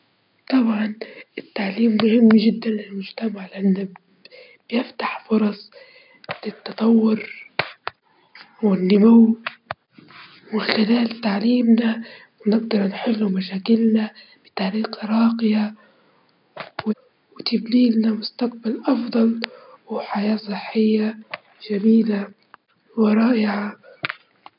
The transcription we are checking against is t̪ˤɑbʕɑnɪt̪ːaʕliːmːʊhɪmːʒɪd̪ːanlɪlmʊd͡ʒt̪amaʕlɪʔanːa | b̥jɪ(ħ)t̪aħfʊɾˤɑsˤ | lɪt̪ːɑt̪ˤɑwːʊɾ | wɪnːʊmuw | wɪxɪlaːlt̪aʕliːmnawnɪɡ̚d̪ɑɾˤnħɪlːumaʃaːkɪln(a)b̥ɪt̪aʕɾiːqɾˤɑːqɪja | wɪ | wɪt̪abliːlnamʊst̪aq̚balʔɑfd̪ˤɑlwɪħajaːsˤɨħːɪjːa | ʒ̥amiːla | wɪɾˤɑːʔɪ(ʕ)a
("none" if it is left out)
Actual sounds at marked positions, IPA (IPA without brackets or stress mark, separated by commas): f, a, ʕ